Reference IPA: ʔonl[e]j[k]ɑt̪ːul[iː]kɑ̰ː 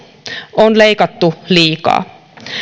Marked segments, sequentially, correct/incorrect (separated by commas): correct, correct, correct